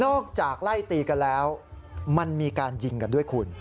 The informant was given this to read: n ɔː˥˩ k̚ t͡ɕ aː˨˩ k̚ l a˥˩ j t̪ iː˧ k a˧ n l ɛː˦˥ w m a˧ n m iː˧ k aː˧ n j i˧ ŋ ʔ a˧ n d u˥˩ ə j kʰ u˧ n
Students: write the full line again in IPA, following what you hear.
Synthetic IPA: n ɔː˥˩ k̚ t͡ɕ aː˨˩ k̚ l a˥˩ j t̪ iː˧ k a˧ n l ɛː˦˥ w m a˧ n m iː˧ k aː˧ n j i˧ ŋ k a˧ n d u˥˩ ə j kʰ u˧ n